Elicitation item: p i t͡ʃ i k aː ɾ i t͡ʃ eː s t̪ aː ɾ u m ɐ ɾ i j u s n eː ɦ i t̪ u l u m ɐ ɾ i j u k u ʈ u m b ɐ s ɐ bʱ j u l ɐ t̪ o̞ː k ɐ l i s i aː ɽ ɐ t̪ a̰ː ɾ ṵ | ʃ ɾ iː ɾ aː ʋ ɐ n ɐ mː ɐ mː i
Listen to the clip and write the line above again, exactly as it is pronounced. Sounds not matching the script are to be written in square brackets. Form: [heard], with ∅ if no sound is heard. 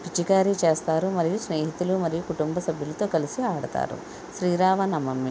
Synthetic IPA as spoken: p i t͡ʃ i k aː ɾ i t͡ʃ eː s t̪ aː ɾ u m ɐ ɾ i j u s n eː ɦ i t̪ u l u m ɐ ɾ i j u k u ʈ u m b ɐ s ɐ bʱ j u l ɐ t̪ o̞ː k ɐ l i s i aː ɽ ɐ t̪ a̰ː ɾ ṵ | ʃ ɾ iː ɾ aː ʋ ɐ n ɐ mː ɐ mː i